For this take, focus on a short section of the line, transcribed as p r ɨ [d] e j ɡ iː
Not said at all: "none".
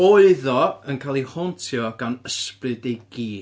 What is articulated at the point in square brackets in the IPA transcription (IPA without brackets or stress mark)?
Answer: d